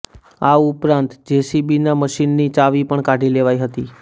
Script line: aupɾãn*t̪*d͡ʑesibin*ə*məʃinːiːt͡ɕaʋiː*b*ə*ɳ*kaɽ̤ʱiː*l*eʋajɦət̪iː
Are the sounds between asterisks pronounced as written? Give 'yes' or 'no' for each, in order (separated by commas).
yes, no, no, yes, yes